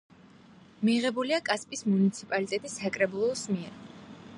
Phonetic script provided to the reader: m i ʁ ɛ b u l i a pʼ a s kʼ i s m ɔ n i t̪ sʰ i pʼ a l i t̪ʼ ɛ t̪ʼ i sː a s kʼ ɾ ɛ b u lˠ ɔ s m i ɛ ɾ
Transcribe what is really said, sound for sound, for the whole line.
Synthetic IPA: m i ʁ ɛ b u l i a kʼ a s pʼ i s m u n i t̪ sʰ i pʼ a l i t̪ʼ ɛ t̪ʼ i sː a kʼ ɾ ɛ b u lˠ ɔ s m i ɛ ɾ